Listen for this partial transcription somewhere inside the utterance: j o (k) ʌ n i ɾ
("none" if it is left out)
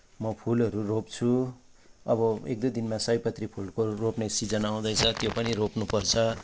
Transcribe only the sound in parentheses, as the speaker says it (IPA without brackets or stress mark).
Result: p